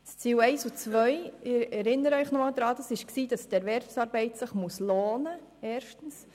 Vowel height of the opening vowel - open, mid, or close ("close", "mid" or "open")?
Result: close